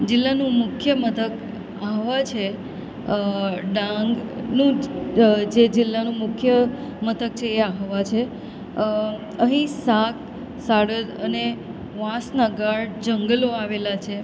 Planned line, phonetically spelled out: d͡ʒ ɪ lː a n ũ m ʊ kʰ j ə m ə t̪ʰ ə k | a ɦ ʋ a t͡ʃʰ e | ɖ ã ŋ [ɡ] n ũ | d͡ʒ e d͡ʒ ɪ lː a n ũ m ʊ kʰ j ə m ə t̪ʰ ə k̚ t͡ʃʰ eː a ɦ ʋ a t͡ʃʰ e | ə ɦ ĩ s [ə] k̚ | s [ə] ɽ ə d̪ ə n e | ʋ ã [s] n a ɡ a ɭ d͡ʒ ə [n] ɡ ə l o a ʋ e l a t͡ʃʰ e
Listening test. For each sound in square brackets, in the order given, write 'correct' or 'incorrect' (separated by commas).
correct, incorrect, incorrect, correct, incorrect